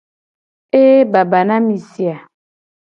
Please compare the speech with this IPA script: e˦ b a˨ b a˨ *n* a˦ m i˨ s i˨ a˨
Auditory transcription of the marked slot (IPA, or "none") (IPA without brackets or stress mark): n